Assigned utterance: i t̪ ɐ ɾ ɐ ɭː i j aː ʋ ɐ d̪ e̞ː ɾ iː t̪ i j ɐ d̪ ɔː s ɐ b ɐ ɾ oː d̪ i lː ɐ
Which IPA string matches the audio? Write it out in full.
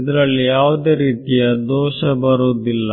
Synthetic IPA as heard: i d̪ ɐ ɾ ɐ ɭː i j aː ʋ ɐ d̪ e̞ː ɾ iː t̪ i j ɐ d̪ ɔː ʃ ɐ b ɐ ɾ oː d̪ i lː ɐ